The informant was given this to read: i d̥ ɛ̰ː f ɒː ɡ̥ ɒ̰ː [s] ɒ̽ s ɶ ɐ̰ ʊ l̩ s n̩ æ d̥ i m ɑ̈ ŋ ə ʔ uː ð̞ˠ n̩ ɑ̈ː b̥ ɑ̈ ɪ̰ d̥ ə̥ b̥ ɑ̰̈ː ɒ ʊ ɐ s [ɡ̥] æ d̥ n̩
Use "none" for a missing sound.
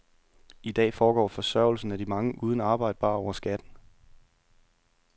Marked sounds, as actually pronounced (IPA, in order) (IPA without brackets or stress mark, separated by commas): f, ɡ̥